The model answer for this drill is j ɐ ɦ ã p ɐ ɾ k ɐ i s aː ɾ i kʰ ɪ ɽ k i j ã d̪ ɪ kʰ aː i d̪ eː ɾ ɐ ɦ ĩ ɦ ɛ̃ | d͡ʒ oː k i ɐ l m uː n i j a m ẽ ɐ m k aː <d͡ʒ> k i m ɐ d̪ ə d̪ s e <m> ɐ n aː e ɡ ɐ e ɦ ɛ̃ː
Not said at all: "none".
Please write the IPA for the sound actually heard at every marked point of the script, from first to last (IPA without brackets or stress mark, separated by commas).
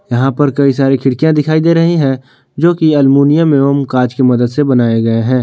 d͡ʒ, b